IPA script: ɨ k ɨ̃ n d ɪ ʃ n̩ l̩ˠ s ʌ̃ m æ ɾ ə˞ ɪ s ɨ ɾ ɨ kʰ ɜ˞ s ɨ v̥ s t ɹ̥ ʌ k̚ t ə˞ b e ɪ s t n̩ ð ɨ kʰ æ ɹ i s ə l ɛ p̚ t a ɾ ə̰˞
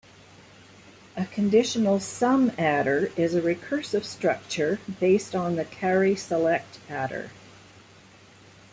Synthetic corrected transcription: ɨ kʰ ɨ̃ n d ɪ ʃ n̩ l̩ˠ s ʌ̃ m æ ɾ ə˞ ɪ z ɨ ɹ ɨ kʰ ɜ˞ s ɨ v̥ s t ɹ̥ ʌ k̚ t͡ʃ ə˞ b e ɪ s t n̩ ð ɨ kʰ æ ɹ i s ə l ɛ k̚ t æ ɾ ə̰˞